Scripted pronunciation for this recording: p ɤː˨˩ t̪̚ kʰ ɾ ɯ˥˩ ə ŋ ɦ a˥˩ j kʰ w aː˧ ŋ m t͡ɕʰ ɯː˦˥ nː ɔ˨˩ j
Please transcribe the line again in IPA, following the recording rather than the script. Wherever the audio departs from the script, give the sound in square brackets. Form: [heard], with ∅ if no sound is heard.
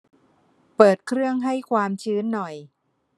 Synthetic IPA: p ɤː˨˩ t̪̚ kʰ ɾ ɯ˥˩ ə ŋ ɦ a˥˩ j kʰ w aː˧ [∅] m t͡ɕʰ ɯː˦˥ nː ɔ˨˩ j